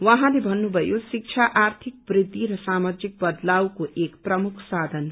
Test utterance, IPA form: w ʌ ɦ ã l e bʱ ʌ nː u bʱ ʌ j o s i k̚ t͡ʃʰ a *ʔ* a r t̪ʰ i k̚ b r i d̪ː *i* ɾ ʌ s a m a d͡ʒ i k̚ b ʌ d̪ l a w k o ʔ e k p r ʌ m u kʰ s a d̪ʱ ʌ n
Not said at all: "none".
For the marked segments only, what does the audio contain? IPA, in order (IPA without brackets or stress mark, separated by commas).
ʔ, i